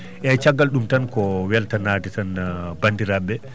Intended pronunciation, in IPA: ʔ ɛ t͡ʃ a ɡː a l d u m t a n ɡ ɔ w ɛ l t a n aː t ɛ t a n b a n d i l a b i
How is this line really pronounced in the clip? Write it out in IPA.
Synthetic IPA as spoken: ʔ ɛ t͡ʃ a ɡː a l ɗ u m t a n k ɔ w ɛ l t a n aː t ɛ t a n b a n d i ɾ a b ɛ